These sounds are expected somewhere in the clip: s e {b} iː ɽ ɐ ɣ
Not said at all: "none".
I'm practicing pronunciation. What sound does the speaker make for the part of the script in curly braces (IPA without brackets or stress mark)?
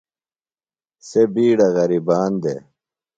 b